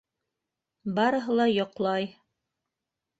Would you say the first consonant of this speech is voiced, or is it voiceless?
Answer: voiced